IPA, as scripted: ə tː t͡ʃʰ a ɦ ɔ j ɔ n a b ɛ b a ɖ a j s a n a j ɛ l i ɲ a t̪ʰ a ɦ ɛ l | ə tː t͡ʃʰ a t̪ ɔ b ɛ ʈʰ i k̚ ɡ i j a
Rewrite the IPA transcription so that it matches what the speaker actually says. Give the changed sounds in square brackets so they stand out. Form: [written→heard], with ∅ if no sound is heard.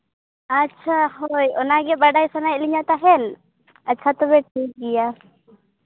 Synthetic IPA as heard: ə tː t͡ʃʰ a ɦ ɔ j ɔ n a [b→ɡ] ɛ b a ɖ a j s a n a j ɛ l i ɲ a [t̪ʰ→t̪] a ɦ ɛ l | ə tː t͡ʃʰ a t̪ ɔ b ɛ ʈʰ i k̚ ɡ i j a

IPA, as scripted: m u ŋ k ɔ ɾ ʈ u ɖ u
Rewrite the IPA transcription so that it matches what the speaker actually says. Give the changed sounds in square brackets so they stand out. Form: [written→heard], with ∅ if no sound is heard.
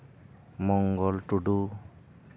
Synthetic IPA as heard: m [u→ɔ] ŋ [k→ɡ] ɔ [ɾ→l] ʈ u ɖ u

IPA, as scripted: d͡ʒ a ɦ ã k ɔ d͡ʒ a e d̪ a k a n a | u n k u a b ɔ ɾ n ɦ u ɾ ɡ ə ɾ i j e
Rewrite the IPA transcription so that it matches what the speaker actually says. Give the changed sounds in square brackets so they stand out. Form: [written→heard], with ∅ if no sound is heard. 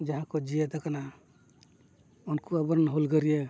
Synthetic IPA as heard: d͡ʒ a ɦ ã k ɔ d͡ʒ [a→i] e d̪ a k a n a | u n k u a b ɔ ɾ n ɦ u [ɾ→l] ɡ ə ɾ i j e

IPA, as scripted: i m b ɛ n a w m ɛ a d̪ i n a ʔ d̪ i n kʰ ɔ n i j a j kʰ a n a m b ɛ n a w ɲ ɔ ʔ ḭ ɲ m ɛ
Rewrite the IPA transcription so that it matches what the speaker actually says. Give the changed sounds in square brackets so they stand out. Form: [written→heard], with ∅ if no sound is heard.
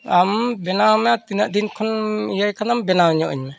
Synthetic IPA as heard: [i→a] m b ɛ n a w m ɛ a [d̪→t̪] i n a ʔ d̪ i n kʰ ɔ n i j a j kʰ a n a m b ɛ n a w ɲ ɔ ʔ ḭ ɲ m ɛ

